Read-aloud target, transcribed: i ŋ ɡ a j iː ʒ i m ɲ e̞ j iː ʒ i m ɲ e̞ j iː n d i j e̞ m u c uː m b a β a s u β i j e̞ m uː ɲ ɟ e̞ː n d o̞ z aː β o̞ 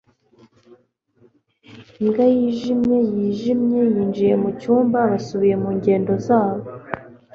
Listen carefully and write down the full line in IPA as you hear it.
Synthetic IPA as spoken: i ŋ ɡ a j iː ʒ i m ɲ e̞ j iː ʒ i m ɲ e̞ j iː n d͡ʒ i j e̞ m u c uː m b a β a s u β i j e̞ m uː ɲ ɟ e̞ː n d o̞ z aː β o̞